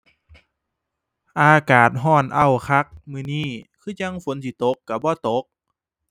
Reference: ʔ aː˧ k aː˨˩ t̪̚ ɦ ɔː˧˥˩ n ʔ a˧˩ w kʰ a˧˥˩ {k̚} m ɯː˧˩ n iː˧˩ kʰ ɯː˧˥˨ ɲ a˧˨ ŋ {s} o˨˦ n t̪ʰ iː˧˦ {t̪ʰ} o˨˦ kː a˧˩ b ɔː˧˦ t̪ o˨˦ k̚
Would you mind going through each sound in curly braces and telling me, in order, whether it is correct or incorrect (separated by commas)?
correct, incorrect, incorrect